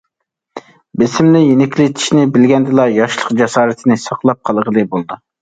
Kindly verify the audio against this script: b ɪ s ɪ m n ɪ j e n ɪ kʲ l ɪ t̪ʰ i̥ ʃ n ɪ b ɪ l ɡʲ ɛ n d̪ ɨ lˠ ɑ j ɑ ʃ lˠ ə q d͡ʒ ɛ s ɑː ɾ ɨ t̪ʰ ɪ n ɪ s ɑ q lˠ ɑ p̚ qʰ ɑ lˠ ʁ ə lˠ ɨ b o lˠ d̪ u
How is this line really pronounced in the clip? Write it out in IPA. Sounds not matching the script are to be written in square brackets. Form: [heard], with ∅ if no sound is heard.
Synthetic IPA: b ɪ s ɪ m n ɪ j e n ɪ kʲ l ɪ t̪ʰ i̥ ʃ n ɪ b ɪ l ɡʲ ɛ n d̪ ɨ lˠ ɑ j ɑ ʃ lˠ ə q d͡ʒ ɛ s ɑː ɾ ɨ t̪ʰ ɪ n ɪ s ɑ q lˠ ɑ p̚ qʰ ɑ lˠ ʁ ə lˠ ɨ b o lˠ d̪ u

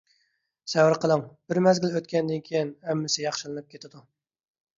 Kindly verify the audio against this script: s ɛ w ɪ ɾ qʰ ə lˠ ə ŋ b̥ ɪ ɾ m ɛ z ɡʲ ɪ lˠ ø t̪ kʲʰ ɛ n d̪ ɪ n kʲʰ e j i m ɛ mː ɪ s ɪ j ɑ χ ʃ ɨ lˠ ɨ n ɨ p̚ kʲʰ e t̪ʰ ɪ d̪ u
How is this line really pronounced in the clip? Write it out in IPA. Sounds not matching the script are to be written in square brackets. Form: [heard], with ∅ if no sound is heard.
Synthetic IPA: s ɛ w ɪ ɾ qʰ ə lˠ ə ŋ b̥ ɪ ɾ m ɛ z ɡʲ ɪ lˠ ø t̪ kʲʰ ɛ n d̪ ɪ n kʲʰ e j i [n] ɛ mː ɪ s ɪ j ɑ χ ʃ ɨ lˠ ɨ n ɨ p̚ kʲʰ e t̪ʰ ɪ d̪ u

